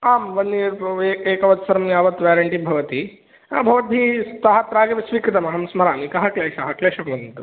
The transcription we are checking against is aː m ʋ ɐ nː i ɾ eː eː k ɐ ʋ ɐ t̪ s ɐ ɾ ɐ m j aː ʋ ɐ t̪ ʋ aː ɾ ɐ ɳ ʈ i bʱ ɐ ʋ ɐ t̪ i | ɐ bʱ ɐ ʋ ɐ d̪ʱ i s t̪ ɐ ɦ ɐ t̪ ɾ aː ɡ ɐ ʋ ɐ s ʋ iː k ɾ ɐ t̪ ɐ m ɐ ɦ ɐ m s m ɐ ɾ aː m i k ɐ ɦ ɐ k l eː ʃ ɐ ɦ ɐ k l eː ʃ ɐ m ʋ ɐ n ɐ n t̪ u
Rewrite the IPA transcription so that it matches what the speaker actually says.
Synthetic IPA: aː m ʋ ɐ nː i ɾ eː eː k ɐ ʋ ɐ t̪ s ɐ ɾ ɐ m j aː ʋ ɐ t̪ ʋ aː ɾ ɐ ɳ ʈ i bʱ ɐ ʋ ɐ t̪ i | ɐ bʱ ɐ ʋ ɐ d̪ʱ i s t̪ ɐ ɦ ɐ t̪ ɾ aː ɡ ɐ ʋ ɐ s ʋ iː k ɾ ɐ t̪ ɐ m ɐ ɦ ɐ m s m ɐ ɾ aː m i k ɐ ɦ ɐ k l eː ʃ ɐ ɦ ɐ k l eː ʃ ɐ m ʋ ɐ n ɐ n t̪ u